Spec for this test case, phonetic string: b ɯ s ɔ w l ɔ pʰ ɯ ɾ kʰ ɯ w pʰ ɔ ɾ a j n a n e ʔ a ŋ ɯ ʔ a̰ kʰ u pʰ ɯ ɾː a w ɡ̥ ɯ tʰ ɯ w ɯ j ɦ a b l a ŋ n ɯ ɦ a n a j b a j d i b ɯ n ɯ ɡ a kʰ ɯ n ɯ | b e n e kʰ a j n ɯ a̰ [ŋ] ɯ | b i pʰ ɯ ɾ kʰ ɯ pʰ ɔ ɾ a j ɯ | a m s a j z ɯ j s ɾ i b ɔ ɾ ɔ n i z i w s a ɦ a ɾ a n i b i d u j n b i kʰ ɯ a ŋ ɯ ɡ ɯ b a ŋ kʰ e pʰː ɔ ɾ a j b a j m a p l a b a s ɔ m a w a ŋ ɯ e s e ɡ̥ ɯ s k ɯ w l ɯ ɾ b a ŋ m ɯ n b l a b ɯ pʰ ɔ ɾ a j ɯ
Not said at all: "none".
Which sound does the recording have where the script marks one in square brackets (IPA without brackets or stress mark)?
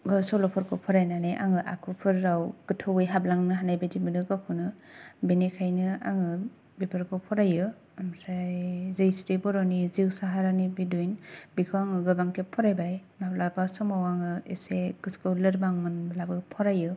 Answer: ŋ